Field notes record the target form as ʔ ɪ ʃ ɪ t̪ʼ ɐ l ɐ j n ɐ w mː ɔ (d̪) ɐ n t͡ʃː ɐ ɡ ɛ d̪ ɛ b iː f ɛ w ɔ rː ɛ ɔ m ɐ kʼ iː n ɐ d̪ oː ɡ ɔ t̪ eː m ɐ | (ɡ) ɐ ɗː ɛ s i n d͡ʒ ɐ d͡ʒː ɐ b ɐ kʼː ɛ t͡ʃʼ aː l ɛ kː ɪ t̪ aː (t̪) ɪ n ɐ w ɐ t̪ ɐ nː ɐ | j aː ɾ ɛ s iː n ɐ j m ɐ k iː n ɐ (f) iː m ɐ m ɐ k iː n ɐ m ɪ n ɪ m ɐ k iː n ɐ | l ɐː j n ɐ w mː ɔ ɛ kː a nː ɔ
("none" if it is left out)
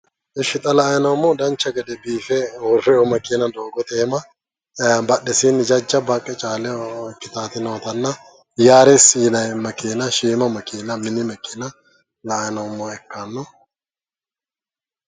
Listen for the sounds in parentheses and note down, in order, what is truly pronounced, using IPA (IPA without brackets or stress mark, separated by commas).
d̪, b, t̪, ʃ